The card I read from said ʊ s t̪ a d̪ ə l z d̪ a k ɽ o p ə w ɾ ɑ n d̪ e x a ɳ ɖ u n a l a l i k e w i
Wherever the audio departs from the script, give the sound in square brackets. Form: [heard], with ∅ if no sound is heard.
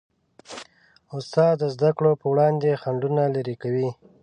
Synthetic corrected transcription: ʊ s t̪ [ɑ] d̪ ə [∅] z d̪ a k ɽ o p ə w [ɽ] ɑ n d̪ e x a ɳ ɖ u n a l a [ɾ] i k [a] w i